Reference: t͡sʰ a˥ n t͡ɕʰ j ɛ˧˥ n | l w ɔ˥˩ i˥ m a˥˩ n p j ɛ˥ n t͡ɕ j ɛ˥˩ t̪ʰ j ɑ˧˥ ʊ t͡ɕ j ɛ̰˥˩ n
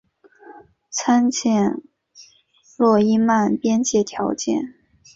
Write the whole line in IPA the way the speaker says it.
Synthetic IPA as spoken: t͡sʰ a˥ n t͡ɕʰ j ɛ˥˩ n | l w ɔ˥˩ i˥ m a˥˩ n p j ɛ˥ n t͡ɕ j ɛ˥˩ t̪ʰ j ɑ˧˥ ʊ t͡ɕ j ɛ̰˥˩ n